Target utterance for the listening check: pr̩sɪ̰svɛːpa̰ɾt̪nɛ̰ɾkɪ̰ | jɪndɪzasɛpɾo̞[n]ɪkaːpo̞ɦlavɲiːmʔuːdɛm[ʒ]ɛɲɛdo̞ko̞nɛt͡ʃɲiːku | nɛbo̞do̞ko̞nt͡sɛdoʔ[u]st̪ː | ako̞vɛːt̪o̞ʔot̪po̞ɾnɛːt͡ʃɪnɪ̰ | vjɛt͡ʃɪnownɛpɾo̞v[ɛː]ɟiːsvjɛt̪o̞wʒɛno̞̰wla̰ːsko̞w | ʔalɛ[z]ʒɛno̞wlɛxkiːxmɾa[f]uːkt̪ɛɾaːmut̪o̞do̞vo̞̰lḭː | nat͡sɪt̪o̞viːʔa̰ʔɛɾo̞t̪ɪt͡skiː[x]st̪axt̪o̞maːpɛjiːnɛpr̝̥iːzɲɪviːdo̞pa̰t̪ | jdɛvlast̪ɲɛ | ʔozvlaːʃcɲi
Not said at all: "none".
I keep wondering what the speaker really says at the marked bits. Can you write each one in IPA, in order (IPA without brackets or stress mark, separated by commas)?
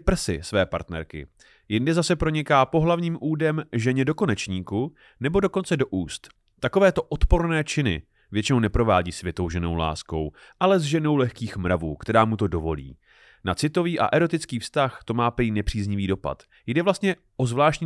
ɲ, ʒ, uː, aː, z, v, f